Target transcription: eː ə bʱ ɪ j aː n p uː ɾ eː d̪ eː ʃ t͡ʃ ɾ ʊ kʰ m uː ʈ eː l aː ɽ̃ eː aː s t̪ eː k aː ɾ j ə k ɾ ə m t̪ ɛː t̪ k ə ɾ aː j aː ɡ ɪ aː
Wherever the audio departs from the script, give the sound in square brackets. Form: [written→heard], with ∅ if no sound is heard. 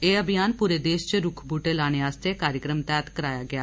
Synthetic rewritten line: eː ə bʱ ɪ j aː n p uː ɾ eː d̪ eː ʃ t͡ʃ ɾ ʊ kʰ [m→b] uː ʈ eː l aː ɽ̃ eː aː s t̪ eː k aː ɾ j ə k ɾ ə m t̪ ɛː t̪ k ə ɾ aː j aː ɡ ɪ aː